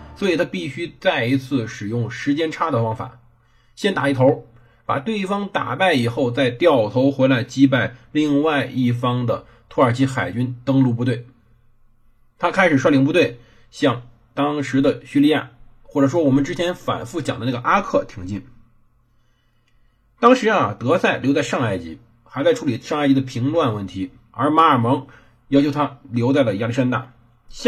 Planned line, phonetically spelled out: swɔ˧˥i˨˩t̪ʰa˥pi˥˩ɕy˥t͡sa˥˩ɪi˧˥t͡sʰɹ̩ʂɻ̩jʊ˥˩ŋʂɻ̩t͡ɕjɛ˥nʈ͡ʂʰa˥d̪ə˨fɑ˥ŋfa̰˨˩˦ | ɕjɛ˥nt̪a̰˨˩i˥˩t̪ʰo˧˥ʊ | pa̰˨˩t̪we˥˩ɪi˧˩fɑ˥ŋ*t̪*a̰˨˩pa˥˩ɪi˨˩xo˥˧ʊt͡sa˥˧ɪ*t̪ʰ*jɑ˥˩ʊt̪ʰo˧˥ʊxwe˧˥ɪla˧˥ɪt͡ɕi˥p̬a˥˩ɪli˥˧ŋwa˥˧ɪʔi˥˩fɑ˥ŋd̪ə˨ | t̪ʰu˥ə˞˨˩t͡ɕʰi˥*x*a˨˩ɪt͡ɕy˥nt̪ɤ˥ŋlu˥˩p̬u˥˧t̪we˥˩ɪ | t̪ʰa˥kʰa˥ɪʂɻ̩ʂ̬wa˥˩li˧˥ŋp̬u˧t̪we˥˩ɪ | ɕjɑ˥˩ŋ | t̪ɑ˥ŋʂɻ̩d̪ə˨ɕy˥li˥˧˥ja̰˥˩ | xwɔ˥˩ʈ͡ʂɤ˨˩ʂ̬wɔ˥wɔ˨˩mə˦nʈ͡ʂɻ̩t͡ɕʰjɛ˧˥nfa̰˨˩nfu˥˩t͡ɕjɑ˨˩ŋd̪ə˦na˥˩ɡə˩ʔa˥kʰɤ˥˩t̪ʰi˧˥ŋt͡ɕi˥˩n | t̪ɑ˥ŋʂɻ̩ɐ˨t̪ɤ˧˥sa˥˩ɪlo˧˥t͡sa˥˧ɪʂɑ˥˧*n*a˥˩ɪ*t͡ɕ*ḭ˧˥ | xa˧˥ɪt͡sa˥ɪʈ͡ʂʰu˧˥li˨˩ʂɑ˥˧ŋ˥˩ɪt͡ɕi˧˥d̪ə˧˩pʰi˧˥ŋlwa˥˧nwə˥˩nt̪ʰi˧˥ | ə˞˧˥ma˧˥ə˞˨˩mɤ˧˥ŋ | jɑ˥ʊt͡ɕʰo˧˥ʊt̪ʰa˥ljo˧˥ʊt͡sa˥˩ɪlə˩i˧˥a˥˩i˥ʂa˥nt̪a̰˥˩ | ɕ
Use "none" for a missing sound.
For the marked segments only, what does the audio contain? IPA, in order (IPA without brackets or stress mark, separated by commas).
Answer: t̪, t̪, x, ŋ, t͡ɕ